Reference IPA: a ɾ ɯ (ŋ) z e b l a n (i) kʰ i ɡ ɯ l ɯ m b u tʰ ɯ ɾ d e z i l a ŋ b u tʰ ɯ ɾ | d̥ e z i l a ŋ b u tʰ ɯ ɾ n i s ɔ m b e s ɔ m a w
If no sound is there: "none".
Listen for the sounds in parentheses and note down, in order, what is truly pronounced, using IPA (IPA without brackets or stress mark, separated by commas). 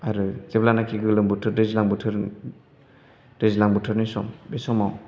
none, a